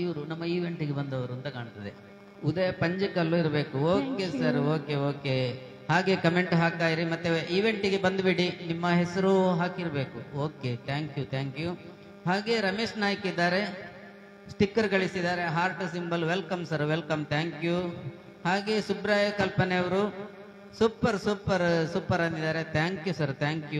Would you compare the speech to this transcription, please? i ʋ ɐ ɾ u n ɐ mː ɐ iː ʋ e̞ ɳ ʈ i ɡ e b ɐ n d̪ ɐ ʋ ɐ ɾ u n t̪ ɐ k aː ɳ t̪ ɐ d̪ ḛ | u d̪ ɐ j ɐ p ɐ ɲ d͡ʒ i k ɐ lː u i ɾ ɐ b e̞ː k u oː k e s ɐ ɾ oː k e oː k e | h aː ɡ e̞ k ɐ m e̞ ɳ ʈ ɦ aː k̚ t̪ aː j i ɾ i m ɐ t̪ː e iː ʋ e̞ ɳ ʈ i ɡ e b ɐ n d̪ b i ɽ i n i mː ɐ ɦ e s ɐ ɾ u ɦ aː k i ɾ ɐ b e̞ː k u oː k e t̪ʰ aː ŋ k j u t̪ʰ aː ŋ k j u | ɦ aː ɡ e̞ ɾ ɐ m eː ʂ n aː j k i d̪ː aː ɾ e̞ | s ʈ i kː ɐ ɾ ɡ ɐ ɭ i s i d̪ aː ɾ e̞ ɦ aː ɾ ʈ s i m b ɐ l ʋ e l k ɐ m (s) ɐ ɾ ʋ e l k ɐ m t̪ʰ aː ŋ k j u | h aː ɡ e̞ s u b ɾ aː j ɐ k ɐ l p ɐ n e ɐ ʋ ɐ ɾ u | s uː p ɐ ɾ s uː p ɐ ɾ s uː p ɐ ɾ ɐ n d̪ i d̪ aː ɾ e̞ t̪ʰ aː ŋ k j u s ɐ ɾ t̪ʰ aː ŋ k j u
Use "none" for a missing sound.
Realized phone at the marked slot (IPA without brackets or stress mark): s